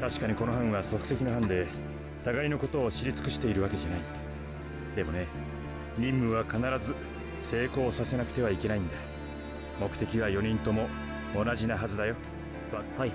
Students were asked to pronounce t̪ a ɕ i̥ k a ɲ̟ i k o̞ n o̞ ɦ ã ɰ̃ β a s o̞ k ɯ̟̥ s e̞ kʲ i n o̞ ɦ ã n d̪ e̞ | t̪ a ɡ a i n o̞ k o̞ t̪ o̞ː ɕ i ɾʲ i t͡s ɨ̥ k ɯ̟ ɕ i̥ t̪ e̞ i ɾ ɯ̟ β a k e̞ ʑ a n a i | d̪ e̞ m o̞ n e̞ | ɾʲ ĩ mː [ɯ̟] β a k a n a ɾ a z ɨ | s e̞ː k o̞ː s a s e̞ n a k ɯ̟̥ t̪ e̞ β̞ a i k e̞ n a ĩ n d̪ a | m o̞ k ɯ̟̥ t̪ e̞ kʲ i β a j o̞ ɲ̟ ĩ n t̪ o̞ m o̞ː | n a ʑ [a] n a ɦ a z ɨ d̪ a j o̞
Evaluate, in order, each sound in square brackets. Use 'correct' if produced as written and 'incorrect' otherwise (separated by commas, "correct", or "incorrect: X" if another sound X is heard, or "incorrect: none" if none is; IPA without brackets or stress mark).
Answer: correct, incorrect: i